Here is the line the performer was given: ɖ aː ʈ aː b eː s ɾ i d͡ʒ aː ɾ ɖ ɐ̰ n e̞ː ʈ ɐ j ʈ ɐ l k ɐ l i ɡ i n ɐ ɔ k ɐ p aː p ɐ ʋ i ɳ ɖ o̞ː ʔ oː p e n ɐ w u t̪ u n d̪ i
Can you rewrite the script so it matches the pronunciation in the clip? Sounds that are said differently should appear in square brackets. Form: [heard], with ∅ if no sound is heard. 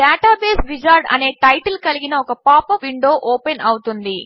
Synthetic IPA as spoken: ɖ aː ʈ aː b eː s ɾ i d͡ʒ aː ɾ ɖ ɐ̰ n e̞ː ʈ ɐ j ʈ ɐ l k ɐ l i ɡ i n ɐ ɔ k ɐ p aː p ɐ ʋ i ɳ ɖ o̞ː ʔ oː p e n ɐ w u t̪ u n d̪ i